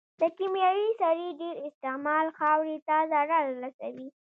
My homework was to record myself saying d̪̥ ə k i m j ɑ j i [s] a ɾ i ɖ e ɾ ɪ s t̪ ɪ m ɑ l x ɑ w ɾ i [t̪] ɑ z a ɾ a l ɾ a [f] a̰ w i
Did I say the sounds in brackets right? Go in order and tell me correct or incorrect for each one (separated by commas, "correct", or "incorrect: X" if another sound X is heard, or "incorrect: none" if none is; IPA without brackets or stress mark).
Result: correct, correct, incorrect: s